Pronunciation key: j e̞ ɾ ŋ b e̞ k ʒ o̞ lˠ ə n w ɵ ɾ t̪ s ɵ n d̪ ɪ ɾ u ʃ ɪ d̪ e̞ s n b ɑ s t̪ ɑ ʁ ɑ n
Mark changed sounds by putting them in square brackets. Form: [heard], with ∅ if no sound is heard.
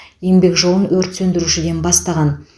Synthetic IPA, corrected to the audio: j e̞ [∅] ŋ b e̞ k ʒ o̞ lˠ ə n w ɵ ɾ t̪ s ɵ n d̪ ɪ ɾ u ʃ ɪ d̪ e̞ [∅] n b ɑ s t̪ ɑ ʁ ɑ n